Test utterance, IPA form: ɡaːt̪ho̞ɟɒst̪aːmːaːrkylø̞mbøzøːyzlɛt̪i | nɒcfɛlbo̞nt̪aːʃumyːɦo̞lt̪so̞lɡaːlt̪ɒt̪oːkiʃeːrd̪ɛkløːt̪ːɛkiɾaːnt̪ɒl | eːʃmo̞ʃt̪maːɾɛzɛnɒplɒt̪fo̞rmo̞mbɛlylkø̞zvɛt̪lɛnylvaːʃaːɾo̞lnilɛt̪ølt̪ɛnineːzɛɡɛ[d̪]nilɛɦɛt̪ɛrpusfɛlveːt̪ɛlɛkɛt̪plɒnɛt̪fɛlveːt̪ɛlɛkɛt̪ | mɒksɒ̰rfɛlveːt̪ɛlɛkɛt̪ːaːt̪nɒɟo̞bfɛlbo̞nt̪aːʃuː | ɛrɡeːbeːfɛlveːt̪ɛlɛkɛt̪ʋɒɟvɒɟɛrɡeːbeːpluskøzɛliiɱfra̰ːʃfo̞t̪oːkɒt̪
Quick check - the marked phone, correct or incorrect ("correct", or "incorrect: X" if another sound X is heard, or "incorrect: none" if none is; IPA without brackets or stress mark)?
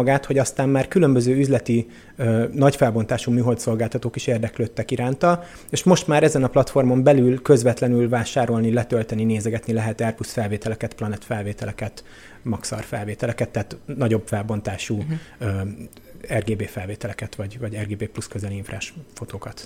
incorrect: t̪